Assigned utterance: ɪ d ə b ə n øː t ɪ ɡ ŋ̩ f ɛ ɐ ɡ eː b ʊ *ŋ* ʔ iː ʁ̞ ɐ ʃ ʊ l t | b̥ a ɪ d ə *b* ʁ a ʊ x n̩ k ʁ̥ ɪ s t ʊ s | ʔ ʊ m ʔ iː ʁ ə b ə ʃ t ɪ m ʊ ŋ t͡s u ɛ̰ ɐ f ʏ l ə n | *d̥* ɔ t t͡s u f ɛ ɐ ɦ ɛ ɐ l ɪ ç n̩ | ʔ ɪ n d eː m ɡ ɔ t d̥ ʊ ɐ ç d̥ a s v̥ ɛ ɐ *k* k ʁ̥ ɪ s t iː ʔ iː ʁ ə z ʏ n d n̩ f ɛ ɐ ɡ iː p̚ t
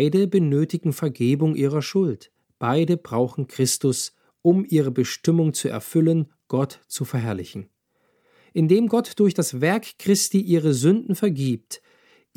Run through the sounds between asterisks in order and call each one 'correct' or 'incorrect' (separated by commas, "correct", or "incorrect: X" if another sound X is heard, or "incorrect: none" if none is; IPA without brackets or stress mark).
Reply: correct, correct, incorrect: ɡ̥, correct